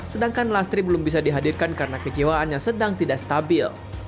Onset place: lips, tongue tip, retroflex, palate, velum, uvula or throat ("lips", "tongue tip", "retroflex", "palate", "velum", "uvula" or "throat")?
tongue tip